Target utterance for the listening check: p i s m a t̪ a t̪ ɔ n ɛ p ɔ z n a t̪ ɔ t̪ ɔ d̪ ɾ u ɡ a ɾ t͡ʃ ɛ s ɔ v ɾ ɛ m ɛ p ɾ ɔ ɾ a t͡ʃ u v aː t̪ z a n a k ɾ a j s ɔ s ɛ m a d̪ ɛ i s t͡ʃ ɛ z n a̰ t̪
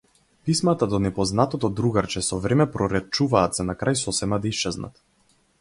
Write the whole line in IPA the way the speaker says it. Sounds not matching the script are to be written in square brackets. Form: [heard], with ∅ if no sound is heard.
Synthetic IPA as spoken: p i s m a t̪ a [d̪] ɔ n ɛ p ɔ z n a t̪ ɔ t̪ ɔ d̪ ɾ u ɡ a ɾ t͡ʃ ɛ s ɔ v ɾ ɛ m ɛ p ɾ ɔ ɾ [ɛ] t͡ʃ u v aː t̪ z a n a k ɾ a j s ɔ s ɛ m a d̪ [a] i s t͡ʃ ɛ z n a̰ t̪